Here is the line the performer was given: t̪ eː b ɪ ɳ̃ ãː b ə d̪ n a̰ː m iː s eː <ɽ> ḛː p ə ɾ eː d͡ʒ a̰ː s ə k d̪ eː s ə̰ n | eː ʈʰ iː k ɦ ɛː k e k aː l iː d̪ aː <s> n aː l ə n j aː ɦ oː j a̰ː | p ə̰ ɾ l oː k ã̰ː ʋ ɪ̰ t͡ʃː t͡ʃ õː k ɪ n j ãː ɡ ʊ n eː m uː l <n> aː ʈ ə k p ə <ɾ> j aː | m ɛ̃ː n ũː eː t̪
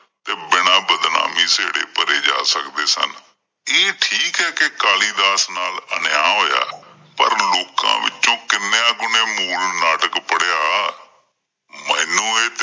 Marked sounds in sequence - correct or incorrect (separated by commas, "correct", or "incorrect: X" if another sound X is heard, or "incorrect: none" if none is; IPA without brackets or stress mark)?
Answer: correct, correct, correct, incorrect: ɽ